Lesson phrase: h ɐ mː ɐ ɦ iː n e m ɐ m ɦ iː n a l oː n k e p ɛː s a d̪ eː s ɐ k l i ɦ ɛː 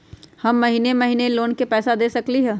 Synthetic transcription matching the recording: h ɐ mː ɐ ɦ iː n e m ɐ ɦ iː n e l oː n k e p ɛː s a d̪ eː s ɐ k l i ɦ ɛː